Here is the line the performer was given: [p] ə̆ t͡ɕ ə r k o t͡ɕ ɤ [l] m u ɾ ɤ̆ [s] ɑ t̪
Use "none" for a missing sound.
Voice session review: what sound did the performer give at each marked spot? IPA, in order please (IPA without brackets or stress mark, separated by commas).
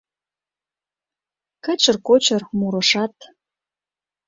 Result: k, r, ʃ